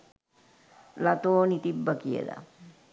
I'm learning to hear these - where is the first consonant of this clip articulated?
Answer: tongue tip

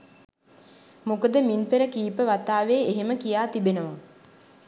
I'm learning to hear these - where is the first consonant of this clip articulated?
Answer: lips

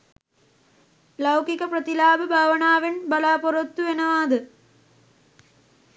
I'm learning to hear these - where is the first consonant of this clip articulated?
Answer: tongue tip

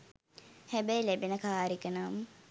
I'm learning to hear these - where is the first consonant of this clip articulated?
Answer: throat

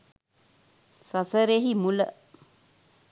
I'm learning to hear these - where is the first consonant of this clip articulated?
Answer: tongue tip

